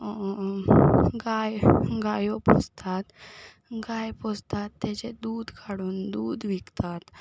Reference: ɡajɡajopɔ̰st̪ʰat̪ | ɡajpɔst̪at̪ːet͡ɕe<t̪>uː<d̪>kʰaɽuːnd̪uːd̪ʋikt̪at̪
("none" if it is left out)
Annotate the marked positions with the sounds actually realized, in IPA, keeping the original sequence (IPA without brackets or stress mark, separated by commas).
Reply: d̪, d̪